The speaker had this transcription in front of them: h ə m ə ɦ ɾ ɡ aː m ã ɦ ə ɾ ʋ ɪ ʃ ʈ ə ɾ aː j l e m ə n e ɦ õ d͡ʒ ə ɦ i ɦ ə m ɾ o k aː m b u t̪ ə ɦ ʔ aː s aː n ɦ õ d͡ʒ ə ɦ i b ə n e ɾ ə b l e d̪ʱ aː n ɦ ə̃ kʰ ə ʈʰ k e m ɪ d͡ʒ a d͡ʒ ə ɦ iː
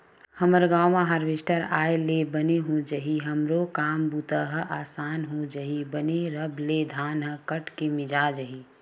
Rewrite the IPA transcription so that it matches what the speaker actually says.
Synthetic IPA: h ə m ə ɾ ɡ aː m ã ɦ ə ɾ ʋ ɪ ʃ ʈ ə ɾ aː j l e b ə n e ɦ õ d͡ʒ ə ɦ i ɦ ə m ɾ o k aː m b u t̪ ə ɦ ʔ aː s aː n ɦ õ d͡ʒ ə ɦ i b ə n e ɾ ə b l e d̪ʱ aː n ɦ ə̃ k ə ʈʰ k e m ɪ d͡ʒ a d͡ʒ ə ɦ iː